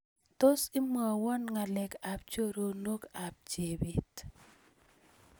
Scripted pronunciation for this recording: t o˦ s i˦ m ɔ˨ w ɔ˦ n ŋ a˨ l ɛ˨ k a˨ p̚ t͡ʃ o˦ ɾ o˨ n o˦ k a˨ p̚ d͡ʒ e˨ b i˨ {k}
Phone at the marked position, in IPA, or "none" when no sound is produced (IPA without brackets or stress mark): t